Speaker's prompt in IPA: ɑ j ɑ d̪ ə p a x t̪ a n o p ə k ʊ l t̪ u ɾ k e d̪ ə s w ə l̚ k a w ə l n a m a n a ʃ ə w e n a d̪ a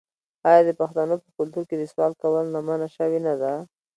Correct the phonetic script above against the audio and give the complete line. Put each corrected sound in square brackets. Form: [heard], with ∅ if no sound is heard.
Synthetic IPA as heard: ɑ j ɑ d̪ ə p a x t̪ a n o p ə k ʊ l t̪ u ɾ k e d̪ ə s w [ɑ] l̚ k a w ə l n a m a n a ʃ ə w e n a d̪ a

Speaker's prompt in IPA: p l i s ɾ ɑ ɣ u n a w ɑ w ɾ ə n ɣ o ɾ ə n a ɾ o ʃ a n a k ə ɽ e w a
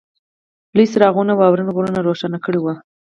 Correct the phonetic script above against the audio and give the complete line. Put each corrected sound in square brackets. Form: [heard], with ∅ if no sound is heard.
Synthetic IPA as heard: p l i s ɾ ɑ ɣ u n a w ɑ w ɾ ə n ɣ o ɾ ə n a ɾ o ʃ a n a k ə ɽ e w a

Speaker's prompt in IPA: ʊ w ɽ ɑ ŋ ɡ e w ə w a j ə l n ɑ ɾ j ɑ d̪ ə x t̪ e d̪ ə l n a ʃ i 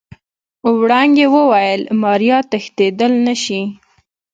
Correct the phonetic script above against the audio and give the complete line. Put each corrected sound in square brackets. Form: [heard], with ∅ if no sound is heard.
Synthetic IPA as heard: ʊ w ɽ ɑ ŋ ɡ e w ə w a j ə l [m] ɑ ɾ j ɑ [t̪] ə x t̪ e d̪ ə l n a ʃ i

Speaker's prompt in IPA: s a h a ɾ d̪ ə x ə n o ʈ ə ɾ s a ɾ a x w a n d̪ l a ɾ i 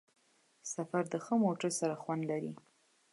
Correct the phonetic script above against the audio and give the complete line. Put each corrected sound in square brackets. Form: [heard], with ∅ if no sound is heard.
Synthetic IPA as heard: s a [f] a ɾ d̪ ə x ə [m] o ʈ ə ɾ s a ɾ a x w a n d̪ l a ɾ i

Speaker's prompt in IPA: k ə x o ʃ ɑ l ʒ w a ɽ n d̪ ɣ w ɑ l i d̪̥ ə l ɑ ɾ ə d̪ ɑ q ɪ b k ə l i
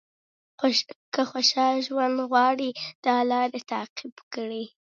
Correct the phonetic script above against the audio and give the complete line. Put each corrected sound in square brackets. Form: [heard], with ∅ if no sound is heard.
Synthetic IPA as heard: k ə x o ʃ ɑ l ʒ w a [∅] n d̪ ɣ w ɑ [ɽ] i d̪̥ [ɑ] l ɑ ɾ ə [t̪] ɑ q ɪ b k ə [ɽ] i

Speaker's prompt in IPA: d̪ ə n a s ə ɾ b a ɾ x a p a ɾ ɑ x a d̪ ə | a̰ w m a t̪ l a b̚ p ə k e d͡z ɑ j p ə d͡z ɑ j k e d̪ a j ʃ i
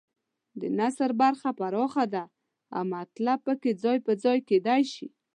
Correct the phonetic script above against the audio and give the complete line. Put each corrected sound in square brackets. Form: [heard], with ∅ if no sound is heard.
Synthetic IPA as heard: d̪ ə n a s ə ɾ b a ɾ x a p a ɾ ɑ x a d̪ [a] | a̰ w m a t̪ l a b̚ p ə k e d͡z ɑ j p ə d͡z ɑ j k e d̪ a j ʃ i

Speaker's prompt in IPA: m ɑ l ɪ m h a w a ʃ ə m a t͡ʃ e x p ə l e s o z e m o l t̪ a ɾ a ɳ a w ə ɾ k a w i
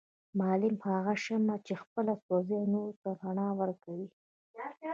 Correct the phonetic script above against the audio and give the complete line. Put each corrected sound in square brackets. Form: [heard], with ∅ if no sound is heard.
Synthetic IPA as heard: m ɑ l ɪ m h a [ɣ] a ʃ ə m a t͡ʃ e x p ə l [a] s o z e [n] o [ɾ] t̪ a ɾ a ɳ [ɑ] w ə ɾ k a w i

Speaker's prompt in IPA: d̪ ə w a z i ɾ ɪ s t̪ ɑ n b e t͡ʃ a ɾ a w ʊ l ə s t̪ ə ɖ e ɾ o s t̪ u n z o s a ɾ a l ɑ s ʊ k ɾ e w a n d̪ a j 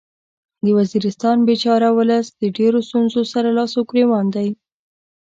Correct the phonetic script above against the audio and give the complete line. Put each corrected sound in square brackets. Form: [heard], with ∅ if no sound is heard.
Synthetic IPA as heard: d̪ ə w a z i ɾ ɪ s t̪ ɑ n b e t͡ʃ [ɑ] ɾ a w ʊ l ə s [d̪] ə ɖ e ɾ o s t̪ u n z o s a ɾ a l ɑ s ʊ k ɾ e w [ɑ] n d̪ a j

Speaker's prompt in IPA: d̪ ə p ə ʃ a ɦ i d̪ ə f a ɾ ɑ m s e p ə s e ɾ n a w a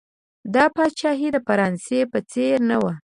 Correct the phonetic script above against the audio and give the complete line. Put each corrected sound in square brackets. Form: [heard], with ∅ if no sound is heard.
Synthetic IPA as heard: d̪ [ɑ] p [ɑ] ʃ [ɑ] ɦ i d̪ ə f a ɾ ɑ [n] s e p ə [t͡s] e ɾ n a w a

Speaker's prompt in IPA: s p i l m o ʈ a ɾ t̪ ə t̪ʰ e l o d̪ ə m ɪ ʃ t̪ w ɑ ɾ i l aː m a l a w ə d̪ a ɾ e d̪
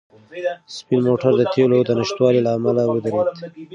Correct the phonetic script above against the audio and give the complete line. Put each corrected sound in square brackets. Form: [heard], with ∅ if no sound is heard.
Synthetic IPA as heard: s p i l m o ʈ a ɾ [d̪] ə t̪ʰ e l o d̪ ə [n] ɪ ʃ t̪ w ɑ [l] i l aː m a l a w ə d̪ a ɾ e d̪

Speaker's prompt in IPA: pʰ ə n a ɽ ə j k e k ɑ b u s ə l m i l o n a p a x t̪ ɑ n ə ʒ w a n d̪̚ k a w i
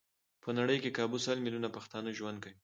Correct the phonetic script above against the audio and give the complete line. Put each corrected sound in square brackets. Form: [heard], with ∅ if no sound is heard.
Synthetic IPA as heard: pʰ ə n a ɽ ə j k e k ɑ b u s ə l m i l [u] n a p a x t̪ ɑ n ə ʒ w a n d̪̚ k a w i

